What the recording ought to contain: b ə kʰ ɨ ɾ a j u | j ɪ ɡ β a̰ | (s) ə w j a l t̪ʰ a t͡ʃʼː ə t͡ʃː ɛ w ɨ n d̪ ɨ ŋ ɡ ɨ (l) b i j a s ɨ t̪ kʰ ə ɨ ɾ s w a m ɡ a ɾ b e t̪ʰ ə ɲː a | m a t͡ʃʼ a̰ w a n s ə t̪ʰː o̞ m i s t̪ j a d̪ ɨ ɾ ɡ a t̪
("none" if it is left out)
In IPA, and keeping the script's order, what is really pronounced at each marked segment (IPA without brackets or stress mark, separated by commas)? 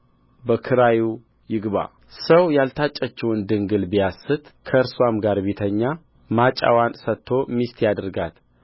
s, l